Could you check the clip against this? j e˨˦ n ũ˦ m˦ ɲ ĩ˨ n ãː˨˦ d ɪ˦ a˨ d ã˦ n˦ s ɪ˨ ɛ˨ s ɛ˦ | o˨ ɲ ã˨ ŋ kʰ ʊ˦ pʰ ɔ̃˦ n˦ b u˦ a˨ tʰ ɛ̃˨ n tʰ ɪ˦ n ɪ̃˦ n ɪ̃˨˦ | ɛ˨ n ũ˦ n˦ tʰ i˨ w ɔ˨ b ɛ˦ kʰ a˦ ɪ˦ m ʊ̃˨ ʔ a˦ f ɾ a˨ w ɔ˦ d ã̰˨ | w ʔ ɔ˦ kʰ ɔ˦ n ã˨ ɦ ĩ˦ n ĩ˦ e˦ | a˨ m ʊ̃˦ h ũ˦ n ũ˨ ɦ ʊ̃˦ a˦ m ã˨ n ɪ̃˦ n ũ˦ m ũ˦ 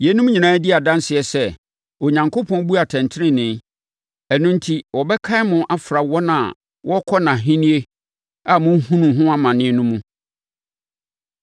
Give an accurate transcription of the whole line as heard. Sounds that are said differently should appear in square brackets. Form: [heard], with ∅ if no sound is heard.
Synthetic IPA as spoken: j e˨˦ n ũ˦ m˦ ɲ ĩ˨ n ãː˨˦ d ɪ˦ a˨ d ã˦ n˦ s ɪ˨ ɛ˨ s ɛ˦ | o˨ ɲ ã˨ ŋ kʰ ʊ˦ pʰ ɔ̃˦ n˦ b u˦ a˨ tʰ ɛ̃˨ n tʰ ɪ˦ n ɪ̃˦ n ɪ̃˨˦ | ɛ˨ n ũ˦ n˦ tʰ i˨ w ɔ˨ b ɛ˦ kʰ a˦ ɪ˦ m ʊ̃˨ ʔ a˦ f ɾ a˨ w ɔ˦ [n] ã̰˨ | w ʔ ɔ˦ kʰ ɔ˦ n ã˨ ɦ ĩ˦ n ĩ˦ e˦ | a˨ m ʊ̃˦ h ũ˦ n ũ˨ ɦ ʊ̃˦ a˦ m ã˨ n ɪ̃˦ n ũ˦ m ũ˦

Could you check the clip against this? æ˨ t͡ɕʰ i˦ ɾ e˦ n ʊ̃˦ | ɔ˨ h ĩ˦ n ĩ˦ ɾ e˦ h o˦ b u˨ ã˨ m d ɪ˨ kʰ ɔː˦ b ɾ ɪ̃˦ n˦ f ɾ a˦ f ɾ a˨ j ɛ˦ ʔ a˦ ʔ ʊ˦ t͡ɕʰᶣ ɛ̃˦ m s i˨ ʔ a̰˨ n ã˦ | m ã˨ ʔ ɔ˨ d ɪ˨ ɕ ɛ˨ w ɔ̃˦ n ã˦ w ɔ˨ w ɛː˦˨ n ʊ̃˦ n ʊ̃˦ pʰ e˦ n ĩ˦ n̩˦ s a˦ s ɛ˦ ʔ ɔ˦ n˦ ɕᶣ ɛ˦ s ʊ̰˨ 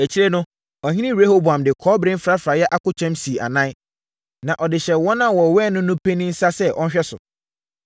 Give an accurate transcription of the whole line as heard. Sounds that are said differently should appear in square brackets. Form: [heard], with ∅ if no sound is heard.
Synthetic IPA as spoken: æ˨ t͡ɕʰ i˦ ɾ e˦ n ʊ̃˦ | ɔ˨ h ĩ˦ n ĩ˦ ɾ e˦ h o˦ b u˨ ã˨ m d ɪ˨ kʰ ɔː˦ b ɾ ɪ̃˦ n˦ f ɾ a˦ f ɾ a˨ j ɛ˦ ʔ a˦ [k] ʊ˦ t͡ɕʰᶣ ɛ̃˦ m s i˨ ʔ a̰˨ n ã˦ | [n] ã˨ ʔ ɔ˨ d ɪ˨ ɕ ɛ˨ w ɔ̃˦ n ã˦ w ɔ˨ w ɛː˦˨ n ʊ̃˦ n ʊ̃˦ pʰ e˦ n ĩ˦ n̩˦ s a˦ s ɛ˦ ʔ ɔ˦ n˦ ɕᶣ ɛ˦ s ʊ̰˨

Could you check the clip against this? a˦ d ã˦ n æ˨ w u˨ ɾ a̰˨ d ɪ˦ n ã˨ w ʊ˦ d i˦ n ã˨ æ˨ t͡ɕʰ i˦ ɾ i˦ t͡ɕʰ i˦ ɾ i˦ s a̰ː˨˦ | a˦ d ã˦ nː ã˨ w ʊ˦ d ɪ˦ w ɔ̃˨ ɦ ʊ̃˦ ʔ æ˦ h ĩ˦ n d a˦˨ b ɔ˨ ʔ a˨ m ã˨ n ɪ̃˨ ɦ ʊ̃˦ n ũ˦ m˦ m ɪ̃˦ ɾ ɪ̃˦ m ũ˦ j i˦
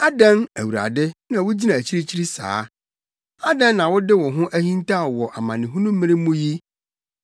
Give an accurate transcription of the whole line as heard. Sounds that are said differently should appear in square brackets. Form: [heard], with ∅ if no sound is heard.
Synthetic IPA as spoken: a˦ d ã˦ n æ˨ w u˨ ɾ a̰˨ d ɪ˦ n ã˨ w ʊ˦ [d͡ʑ] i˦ n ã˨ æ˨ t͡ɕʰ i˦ ɾ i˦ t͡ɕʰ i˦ ɾ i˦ s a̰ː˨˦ | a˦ d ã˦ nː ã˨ w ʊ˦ d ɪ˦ w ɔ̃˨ ɦ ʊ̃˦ ʔ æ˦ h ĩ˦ n [t] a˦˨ [w] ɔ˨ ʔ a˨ m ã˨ n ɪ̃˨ ɦ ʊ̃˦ n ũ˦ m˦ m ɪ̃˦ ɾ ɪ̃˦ m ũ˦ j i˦

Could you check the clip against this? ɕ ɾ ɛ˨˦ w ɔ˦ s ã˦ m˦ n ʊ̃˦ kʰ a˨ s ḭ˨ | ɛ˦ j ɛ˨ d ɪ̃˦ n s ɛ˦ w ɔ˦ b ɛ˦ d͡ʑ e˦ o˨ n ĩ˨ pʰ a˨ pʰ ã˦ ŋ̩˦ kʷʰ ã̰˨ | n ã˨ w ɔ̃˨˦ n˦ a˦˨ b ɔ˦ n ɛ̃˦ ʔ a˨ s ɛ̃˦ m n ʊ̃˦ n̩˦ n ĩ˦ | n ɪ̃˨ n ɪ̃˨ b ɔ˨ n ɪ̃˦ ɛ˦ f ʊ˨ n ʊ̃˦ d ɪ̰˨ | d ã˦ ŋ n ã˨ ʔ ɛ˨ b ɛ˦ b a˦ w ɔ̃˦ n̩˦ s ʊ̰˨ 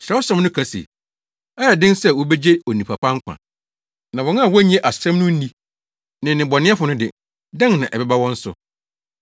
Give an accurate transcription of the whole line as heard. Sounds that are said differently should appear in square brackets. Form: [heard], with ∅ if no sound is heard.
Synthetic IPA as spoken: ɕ ɾ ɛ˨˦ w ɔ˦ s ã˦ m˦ n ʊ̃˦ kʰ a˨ s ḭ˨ | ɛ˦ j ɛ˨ d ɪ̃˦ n s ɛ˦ w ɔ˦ b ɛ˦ d͡ʑ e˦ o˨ n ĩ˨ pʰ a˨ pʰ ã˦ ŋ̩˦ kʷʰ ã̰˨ | n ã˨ w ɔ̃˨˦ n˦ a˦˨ [w] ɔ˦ [ɲ] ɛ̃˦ ʔ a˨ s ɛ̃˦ m n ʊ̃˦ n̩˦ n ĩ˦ | n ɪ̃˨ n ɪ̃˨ b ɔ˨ n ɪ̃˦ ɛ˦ f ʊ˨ n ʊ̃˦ d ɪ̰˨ | d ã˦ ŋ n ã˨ ʔ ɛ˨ b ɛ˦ b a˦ w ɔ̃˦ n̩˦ s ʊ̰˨

